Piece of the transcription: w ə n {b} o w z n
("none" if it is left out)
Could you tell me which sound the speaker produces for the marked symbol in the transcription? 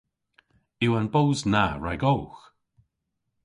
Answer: b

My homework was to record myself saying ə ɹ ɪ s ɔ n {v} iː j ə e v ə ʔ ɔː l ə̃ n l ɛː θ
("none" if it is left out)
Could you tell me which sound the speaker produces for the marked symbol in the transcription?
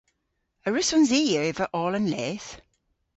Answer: z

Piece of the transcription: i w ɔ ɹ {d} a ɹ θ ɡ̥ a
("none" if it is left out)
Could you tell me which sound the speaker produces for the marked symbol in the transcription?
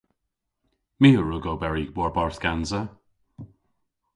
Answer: b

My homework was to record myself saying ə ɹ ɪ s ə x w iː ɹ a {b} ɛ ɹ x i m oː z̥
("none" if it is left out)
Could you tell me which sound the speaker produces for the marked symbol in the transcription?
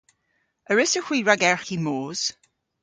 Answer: ɡ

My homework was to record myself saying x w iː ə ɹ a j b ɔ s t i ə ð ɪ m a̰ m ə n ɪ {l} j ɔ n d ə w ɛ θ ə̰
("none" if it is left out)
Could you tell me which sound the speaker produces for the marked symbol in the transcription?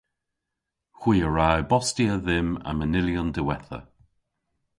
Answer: l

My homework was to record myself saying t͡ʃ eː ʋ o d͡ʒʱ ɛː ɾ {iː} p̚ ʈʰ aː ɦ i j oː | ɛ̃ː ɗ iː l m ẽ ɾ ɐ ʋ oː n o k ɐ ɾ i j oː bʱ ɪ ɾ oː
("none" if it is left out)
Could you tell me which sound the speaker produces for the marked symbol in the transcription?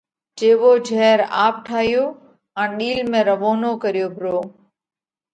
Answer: aː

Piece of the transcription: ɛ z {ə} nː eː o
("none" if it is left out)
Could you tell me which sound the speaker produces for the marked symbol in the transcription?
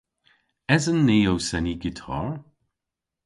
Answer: ə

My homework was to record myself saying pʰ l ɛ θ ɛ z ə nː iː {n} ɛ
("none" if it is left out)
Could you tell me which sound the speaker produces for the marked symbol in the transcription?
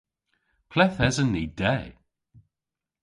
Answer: d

